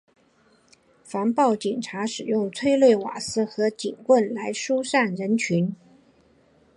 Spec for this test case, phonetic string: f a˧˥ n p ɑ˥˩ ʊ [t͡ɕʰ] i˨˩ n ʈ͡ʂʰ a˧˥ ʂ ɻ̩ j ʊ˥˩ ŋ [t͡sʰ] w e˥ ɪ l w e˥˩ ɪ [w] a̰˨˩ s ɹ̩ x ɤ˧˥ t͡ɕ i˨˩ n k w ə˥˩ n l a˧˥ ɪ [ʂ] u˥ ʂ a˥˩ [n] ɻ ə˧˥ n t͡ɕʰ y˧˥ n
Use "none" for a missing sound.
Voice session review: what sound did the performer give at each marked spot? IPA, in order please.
t͡ɕ, t͡sʰ, w, ʂ, n

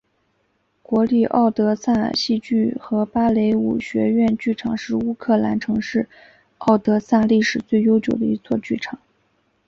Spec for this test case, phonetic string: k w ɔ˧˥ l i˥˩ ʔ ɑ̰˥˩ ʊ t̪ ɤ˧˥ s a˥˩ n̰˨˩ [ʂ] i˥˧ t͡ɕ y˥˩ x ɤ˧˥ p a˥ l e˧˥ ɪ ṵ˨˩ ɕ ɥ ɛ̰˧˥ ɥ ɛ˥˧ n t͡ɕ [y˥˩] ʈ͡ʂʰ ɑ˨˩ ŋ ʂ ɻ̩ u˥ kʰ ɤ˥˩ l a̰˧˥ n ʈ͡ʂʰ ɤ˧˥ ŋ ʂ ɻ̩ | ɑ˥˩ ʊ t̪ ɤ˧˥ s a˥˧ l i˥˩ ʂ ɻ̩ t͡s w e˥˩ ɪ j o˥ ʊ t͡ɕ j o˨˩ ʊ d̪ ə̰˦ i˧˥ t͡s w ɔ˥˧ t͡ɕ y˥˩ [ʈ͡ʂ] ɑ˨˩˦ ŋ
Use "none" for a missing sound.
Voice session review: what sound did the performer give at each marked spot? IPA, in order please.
ɕ, y˥˩, ʈ͡ʂʰ

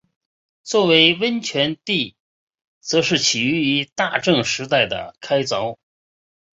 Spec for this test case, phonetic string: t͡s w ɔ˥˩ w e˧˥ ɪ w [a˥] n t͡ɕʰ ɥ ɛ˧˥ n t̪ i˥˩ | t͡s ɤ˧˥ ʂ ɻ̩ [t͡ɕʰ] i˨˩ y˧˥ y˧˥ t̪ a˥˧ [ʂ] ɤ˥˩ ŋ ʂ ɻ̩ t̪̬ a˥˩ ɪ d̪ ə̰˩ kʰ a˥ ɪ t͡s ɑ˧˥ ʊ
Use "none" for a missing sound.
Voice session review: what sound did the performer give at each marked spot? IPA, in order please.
ə˥, t͡ɕʰ, ʈ͡ʂ

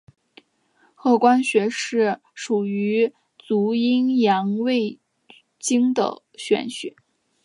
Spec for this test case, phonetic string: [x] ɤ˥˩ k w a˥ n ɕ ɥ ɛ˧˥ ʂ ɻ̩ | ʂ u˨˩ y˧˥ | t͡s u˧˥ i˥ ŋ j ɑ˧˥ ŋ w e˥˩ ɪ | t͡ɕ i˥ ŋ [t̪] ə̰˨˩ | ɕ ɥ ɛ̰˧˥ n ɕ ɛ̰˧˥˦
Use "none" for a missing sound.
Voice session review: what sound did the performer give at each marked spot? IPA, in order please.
x, d̪

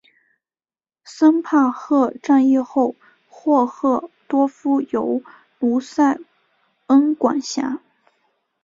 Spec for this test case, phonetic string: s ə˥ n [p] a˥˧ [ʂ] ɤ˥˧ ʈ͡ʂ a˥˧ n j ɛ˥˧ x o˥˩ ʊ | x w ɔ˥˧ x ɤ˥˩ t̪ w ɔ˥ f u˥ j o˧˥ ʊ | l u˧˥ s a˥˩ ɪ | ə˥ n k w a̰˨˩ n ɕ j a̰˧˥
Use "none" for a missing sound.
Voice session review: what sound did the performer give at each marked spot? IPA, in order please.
pʰ, x

